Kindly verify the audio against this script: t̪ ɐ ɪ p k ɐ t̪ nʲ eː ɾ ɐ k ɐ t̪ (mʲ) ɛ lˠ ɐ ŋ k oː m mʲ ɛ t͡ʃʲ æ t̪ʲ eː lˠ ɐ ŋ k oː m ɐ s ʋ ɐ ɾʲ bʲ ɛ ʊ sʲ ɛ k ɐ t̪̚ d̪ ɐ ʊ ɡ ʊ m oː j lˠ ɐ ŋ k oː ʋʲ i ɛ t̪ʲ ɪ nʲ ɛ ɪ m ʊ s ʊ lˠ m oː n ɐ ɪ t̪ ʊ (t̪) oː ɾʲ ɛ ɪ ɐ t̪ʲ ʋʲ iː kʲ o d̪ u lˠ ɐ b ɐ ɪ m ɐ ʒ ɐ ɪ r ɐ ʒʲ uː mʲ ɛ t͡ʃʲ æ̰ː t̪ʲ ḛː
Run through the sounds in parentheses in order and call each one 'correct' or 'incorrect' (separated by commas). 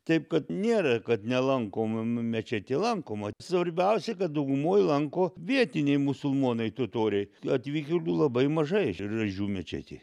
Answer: incorrect, correct